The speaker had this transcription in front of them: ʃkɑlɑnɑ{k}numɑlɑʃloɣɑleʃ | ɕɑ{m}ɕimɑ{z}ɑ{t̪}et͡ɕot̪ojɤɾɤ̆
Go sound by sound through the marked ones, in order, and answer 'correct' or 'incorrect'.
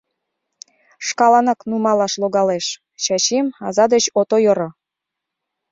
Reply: correct, incorrect: none, correct, incorrect: d̪

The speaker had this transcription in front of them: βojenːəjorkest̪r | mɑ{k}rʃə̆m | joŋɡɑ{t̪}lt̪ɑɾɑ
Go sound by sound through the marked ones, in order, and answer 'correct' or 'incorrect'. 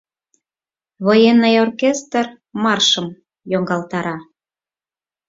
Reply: incorrect: none, incorrect: none

